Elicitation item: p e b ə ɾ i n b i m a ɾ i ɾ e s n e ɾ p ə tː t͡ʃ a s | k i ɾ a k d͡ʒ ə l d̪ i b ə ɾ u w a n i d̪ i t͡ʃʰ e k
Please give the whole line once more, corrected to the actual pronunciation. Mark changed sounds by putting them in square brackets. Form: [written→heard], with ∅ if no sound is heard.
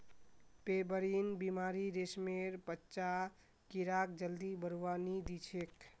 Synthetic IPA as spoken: p e b ə ɾ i n b i m a ɾ i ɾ e s [n→m] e ɾ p ə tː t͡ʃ a [s→∅] | k i ɾ a k d͡ʒ ə l d̪ i b ə ɾ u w a n i d̪ i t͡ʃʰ e k

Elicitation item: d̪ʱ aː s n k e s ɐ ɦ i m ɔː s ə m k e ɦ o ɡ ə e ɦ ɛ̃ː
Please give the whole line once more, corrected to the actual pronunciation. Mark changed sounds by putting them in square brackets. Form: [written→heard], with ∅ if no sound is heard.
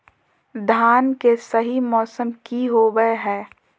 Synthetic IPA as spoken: d̪ʱ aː [s→∅] n k e s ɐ ɦ i m ɔː s ə m k [e→i] ɦ o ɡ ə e ɦ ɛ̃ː

